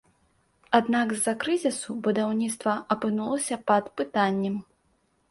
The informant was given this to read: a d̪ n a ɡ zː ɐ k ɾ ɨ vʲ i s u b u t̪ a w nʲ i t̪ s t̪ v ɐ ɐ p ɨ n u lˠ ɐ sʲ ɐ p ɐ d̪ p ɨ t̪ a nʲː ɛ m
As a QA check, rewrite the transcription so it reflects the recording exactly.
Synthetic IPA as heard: a d̪ n a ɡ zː ɐ k ɾ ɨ zʲ i s u b u d̪ a w nʲ i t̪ s t̪ v ɐ ɐ p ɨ n u lˠ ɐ sʲ ɐ p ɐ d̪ p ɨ t̪ a nʲː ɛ m